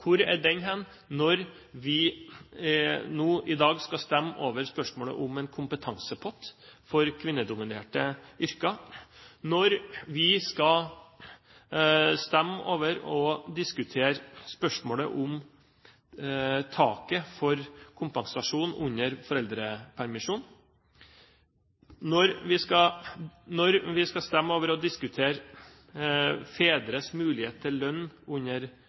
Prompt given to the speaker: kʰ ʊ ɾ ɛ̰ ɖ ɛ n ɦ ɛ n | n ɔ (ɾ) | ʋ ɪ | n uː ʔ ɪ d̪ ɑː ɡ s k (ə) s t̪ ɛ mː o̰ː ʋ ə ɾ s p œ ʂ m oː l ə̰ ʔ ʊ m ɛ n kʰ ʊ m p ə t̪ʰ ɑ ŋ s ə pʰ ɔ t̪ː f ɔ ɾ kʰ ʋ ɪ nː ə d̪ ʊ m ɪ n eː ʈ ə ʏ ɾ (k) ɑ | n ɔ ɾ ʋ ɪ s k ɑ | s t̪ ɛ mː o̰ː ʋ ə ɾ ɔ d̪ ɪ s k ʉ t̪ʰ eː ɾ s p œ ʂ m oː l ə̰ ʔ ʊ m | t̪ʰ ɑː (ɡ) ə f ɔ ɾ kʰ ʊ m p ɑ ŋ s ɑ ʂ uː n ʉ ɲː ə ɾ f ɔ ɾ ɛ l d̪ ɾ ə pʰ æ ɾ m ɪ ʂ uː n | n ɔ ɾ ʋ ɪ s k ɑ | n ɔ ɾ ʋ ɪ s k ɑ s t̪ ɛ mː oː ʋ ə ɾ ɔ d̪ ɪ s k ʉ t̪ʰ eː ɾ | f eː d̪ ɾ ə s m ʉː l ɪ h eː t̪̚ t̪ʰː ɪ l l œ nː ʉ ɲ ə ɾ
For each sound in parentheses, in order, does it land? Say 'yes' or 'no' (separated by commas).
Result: yes, no, yes, no